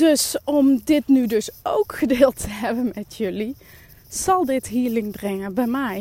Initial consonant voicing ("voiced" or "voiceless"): voiced